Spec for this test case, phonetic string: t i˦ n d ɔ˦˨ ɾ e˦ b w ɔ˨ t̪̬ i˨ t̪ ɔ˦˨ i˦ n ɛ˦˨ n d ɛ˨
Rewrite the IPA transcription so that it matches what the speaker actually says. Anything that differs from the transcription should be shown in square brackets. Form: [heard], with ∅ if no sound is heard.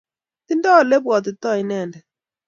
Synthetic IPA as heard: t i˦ n d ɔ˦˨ [l] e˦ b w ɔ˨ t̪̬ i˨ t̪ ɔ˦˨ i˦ n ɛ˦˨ n d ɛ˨